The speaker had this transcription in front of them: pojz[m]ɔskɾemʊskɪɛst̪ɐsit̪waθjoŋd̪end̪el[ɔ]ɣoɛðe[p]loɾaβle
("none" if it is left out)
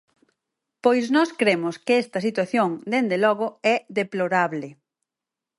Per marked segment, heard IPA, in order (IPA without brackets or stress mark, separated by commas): n, ɔ, p